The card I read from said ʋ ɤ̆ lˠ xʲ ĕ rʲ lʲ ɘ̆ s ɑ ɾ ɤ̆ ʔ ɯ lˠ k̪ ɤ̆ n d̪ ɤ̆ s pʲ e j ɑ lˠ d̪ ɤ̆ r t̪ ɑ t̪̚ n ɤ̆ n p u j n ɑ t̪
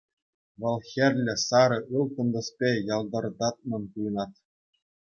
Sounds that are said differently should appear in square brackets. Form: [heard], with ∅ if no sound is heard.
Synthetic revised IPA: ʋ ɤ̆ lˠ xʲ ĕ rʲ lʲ ɘ̆ s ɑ ɾ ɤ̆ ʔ ɯ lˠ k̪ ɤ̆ n d̪ ɤ̆ s pʲ e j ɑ lˠ d̪ ɤ̆ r [d̪] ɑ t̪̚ [m] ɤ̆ n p u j n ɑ t̪